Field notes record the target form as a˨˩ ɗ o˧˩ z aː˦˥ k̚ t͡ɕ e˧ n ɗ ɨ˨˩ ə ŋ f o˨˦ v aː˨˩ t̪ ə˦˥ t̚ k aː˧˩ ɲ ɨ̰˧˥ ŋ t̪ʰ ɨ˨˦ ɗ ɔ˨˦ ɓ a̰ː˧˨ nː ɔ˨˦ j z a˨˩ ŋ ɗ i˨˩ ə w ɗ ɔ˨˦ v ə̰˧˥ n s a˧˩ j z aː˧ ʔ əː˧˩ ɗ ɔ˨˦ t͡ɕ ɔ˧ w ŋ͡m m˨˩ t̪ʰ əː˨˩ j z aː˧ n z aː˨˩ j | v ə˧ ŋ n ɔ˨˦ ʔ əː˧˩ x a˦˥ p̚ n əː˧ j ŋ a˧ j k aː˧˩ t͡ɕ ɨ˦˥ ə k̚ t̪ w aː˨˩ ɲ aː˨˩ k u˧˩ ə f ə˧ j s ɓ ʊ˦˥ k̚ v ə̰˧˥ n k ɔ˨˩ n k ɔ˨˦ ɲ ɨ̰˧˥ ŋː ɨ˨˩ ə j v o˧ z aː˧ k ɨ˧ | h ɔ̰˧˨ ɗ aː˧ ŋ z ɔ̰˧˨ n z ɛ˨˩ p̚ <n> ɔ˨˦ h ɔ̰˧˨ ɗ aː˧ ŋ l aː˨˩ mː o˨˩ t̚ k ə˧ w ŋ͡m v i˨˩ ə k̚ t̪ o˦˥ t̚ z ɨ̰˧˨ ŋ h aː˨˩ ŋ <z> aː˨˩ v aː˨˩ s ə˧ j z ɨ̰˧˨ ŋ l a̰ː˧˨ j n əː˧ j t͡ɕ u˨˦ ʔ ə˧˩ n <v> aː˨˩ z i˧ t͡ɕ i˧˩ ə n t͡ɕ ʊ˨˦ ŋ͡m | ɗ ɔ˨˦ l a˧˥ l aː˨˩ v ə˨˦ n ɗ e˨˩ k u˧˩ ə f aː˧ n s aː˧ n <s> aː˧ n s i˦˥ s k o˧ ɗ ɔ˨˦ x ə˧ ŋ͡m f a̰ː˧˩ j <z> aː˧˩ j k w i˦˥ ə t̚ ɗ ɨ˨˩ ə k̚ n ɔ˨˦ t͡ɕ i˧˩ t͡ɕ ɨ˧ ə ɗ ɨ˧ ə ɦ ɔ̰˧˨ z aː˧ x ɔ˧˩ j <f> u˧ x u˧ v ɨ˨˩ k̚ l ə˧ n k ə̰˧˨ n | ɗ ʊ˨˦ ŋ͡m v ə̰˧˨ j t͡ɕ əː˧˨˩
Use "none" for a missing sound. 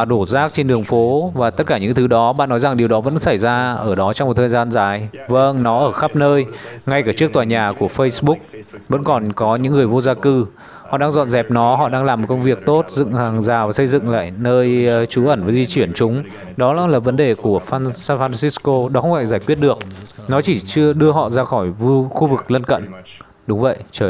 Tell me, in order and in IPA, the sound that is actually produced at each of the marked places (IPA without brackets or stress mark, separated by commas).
n, z, v, f, z, v